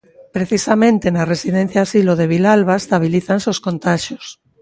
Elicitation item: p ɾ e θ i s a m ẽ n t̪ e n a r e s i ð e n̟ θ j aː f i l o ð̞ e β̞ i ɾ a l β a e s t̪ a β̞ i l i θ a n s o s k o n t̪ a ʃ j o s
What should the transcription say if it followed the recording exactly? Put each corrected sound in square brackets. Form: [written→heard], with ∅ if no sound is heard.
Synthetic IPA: p ɾ e θ i s a m ẽ n t̪ e n a r e s i ð e n̟ θ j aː [f→s] i l o ð̞ e β̞ i [ɾ→l] a l β a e s t̪ a β̞ i l i θ a n s o s k o n t̪ a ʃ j o s